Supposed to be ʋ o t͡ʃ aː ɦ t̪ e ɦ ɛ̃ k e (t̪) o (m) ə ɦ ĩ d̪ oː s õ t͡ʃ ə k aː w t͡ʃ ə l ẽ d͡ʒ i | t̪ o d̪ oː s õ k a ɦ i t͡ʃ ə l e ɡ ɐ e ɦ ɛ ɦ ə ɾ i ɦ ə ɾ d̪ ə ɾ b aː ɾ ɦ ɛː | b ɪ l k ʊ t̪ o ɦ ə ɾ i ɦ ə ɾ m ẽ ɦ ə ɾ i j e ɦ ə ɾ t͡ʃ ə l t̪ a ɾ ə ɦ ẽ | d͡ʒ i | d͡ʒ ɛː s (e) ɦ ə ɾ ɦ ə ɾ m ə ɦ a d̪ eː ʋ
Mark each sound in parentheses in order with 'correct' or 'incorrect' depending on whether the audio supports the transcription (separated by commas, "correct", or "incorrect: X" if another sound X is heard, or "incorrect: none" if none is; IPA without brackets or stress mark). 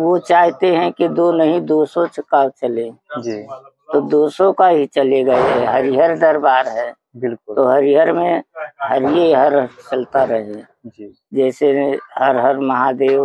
incorrect: d̪, incorrect: n, correct